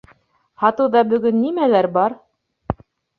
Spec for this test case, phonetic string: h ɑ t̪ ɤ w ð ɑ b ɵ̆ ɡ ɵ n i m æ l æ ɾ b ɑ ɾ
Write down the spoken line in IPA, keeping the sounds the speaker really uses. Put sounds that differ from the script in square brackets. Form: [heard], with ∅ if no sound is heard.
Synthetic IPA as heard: h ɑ t̪ ɤ w ð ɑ b ɵ̆ ɡ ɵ [nː] i m æ l æ ɾ b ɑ ɾ